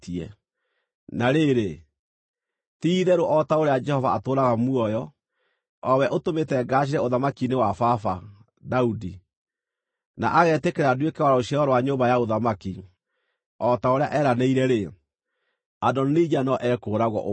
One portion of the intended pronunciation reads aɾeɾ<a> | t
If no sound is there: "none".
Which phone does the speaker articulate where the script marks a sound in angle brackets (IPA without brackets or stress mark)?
e